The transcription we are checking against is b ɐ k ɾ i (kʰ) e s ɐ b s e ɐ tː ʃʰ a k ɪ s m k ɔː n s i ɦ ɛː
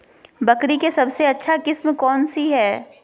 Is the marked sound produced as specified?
no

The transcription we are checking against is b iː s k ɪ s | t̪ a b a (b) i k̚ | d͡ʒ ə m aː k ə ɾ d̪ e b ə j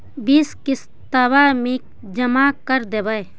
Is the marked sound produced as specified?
no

